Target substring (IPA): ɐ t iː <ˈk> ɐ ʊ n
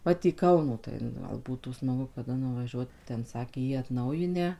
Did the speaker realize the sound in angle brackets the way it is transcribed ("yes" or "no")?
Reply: yes